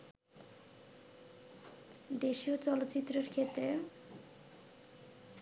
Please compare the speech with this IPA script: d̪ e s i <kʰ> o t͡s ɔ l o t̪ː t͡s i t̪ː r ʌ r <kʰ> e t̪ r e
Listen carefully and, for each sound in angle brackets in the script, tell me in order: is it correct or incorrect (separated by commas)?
incorrect, correct